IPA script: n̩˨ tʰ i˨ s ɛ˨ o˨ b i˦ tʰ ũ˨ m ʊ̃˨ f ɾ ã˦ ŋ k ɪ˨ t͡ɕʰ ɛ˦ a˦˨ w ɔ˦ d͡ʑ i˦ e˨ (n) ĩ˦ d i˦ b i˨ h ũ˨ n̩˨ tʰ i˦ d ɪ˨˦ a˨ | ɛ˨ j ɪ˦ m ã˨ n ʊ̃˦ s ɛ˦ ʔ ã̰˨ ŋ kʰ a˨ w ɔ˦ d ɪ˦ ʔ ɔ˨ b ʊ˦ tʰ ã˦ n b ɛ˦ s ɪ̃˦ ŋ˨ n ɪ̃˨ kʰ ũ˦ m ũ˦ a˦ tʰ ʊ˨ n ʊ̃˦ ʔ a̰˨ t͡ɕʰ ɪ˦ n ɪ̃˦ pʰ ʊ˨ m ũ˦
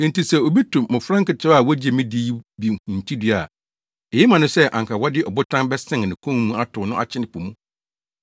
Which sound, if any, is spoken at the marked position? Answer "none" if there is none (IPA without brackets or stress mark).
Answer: m